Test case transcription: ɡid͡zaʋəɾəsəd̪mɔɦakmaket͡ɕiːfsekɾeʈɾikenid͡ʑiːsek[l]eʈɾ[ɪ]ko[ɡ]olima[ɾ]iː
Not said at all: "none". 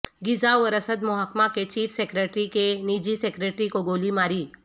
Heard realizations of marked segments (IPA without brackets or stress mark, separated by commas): ɾ, i, ɡ, ɾ